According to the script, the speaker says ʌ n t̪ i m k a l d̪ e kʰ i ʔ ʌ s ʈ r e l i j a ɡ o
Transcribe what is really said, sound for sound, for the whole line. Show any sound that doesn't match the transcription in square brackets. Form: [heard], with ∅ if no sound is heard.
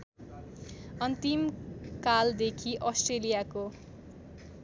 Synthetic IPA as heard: ʌ n t̪ i m k a l d̪ e kʰ i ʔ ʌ s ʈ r e l i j a [k] o